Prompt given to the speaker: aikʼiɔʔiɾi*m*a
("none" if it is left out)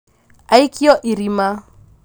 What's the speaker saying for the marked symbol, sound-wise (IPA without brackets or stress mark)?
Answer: m